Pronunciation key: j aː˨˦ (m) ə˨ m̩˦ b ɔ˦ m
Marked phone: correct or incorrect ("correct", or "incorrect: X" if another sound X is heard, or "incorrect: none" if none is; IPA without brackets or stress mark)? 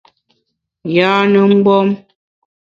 incorrect: n